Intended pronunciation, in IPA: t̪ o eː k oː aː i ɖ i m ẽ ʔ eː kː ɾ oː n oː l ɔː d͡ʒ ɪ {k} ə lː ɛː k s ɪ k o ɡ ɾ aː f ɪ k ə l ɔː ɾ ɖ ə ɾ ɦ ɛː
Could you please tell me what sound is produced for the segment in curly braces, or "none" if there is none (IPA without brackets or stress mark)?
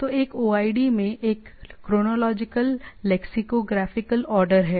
k